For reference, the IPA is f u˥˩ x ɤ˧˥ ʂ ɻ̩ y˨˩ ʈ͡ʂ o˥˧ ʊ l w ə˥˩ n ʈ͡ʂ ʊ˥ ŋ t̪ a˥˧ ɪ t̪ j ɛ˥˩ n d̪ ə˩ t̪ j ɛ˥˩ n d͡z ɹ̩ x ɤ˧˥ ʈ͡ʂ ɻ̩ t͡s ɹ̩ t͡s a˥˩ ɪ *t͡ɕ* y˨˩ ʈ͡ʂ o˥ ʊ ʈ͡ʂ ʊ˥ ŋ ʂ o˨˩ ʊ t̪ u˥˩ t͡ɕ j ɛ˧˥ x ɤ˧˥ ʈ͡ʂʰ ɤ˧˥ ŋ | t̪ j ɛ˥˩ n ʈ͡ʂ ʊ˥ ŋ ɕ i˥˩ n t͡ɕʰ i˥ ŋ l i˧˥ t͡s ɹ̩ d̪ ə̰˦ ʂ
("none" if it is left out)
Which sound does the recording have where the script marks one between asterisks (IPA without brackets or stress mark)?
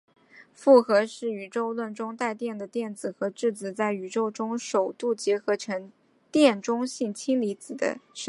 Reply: none